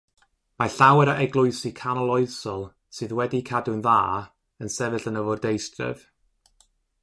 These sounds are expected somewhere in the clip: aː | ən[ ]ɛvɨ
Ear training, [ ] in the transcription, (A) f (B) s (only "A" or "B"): B